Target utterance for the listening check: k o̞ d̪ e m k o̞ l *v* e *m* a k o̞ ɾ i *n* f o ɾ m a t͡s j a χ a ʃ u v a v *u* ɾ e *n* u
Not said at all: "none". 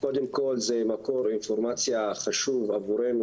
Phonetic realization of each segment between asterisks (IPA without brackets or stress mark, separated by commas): z, m, n, u, n